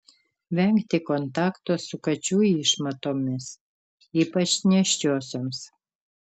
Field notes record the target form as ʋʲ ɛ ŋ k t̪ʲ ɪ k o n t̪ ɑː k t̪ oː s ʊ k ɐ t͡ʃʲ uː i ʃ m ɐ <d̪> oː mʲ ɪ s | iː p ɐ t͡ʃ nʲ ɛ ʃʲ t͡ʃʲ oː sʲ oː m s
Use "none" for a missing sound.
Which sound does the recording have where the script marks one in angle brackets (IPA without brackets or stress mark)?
t̪